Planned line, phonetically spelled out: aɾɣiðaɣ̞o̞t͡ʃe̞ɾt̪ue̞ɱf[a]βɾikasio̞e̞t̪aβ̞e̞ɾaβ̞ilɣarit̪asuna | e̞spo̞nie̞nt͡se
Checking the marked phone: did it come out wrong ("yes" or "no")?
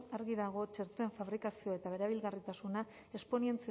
no